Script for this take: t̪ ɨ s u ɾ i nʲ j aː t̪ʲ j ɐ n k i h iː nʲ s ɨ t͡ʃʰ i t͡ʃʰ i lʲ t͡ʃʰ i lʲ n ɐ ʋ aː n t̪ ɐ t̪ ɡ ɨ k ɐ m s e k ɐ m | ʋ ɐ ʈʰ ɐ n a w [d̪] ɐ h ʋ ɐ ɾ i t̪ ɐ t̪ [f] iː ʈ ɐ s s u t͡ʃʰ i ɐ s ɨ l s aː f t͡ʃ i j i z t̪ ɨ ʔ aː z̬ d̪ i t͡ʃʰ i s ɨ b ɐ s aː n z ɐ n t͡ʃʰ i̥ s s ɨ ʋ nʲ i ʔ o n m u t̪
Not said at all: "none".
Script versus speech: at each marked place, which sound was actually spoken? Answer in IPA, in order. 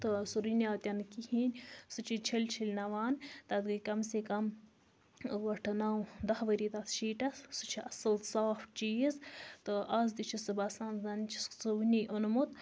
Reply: d̪, ʃ

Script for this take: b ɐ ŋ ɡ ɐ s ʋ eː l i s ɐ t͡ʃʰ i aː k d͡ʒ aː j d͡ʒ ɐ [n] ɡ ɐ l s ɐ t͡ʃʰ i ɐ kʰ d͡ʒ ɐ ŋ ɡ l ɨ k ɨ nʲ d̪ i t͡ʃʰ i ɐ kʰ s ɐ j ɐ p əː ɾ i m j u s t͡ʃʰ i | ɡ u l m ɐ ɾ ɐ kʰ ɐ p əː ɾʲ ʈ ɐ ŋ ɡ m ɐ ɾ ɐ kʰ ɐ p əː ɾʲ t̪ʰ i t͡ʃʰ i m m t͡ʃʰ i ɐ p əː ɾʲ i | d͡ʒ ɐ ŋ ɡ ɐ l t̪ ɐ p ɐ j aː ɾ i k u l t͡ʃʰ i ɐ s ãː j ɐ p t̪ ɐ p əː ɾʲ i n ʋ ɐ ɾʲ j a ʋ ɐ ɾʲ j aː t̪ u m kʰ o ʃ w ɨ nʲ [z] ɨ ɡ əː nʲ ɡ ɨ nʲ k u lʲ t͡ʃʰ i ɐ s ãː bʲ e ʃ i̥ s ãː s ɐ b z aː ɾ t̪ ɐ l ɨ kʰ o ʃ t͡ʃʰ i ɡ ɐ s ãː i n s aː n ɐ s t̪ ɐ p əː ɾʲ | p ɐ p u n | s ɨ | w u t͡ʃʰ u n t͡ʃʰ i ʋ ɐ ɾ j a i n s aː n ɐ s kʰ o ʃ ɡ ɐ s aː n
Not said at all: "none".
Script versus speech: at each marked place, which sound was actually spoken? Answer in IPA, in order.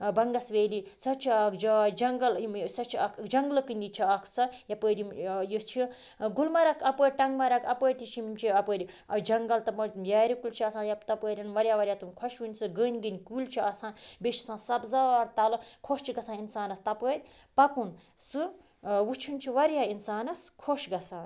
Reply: ŋ, s

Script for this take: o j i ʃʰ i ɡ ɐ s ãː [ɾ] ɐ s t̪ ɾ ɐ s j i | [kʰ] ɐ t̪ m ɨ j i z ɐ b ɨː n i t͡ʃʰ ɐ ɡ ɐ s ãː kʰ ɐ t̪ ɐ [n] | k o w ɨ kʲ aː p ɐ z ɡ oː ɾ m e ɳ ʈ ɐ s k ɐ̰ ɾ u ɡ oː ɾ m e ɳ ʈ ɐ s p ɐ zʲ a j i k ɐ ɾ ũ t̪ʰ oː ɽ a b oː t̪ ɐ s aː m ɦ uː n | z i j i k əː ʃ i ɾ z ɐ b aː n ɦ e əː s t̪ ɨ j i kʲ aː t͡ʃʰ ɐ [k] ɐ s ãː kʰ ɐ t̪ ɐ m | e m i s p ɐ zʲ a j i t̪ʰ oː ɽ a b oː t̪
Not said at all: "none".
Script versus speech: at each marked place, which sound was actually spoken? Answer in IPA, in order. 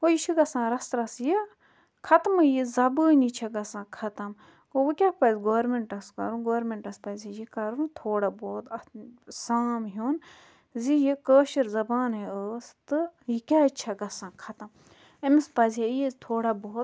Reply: ɾ, kʰ, m, ɡ

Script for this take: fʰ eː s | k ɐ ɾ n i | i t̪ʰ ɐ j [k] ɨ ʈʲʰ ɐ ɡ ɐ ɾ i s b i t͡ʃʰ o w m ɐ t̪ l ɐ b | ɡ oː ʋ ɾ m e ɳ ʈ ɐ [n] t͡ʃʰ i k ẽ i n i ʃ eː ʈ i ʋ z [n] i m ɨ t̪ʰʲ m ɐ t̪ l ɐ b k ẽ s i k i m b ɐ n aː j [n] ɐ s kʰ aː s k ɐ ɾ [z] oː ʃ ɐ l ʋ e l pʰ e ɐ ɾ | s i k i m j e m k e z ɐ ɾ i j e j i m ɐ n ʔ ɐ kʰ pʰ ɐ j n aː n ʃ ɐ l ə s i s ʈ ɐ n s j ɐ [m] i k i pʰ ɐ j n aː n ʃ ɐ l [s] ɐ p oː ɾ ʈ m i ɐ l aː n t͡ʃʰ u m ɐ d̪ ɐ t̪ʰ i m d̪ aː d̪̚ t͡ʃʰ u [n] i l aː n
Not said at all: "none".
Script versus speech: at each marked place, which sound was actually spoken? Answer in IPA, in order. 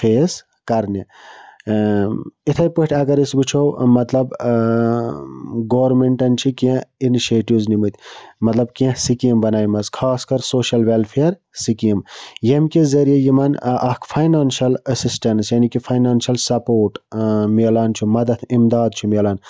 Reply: p, n, n, m, s, n, s, m

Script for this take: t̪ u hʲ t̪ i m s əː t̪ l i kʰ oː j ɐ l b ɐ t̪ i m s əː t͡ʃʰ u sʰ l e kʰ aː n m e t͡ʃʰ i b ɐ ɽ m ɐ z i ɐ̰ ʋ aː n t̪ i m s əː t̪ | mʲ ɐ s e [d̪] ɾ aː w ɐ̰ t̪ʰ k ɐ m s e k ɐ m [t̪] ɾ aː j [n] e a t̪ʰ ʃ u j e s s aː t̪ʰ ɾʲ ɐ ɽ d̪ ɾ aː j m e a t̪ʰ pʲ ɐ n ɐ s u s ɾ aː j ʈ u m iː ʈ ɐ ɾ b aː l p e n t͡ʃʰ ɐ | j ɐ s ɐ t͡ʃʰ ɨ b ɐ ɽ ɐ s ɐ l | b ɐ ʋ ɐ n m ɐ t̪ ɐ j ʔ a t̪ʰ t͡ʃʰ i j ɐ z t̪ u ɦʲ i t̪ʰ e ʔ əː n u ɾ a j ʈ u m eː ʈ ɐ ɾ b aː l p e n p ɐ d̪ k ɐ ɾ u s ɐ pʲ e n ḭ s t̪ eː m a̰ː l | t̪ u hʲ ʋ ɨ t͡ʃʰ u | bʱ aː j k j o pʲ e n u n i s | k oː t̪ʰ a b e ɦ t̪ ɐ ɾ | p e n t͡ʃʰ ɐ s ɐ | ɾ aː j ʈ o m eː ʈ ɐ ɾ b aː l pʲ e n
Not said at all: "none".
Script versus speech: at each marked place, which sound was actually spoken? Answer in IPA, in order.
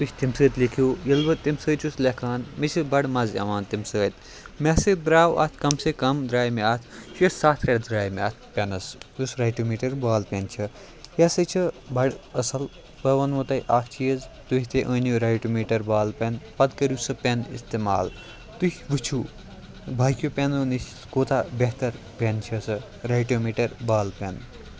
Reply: d̪, d̪, m

